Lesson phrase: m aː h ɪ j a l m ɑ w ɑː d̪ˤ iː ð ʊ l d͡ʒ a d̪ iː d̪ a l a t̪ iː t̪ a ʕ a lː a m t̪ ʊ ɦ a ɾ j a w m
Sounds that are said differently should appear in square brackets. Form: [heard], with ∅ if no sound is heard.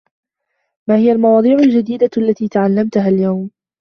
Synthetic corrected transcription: m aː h ɪ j a l m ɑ w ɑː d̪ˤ iː [ʕ] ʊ l d͡ʒ a d̪ iː d̪ a [lː] a t̪ iː t̪ a ʕ a lː a m t̪ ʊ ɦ a [l] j a w m